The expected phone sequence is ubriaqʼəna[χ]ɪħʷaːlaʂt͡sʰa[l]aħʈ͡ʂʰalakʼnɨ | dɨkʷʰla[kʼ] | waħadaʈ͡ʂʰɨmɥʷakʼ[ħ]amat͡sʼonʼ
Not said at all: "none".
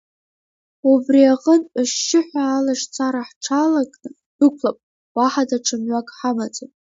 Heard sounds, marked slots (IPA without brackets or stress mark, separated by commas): ʃ, ɾ, pʼ, ħ